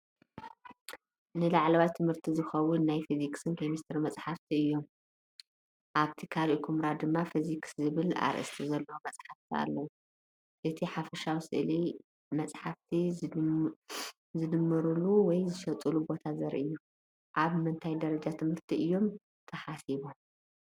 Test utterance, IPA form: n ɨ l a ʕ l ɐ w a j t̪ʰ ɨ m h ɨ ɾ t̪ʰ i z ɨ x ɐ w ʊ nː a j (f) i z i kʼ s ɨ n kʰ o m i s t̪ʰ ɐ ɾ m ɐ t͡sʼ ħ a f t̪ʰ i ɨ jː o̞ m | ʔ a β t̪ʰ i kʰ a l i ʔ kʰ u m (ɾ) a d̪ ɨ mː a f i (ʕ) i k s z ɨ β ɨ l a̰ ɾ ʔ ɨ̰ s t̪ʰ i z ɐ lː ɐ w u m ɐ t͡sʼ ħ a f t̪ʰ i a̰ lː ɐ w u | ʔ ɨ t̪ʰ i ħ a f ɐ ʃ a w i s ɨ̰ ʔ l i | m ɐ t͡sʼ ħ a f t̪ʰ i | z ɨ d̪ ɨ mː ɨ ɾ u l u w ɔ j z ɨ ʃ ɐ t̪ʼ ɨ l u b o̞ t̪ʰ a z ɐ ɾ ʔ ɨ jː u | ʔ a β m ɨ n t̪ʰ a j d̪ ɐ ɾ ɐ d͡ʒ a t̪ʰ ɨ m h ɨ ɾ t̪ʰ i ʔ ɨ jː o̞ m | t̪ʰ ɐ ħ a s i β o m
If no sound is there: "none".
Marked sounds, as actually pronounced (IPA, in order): f, ɾ, z

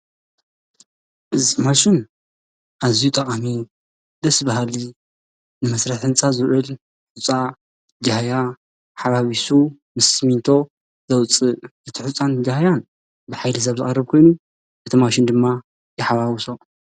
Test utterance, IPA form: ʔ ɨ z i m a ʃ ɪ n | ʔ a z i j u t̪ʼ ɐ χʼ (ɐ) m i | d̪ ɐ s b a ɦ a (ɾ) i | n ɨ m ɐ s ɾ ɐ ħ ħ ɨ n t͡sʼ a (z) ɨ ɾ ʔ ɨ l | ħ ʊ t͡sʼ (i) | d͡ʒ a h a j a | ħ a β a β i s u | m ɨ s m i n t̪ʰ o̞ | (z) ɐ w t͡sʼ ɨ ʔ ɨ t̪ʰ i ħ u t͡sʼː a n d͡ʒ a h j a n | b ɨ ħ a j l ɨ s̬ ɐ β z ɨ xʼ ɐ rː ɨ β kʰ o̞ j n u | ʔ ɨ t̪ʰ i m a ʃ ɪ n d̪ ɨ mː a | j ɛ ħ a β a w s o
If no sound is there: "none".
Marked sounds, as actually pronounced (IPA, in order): a, l, z, a, z

